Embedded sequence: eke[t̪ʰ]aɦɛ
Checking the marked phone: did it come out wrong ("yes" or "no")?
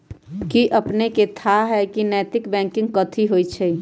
no